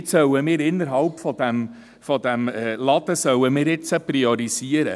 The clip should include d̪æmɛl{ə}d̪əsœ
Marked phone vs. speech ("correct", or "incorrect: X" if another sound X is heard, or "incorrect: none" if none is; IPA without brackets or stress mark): incorrect: ɑ